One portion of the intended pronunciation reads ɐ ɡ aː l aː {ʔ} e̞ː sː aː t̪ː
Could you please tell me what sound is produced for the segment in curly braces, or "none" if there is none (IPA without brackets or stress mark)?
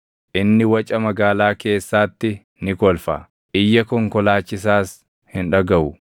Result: k